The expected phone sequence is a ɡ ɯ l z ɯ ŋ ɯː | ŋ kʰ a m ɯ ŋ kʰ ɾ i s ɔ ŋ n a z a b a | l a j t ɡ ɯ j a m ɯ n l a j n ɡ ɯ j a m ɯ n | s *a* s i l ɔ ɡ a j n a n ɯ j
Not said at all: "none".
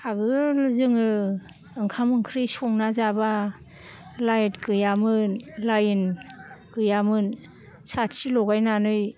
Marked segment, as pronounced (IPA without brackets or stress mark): a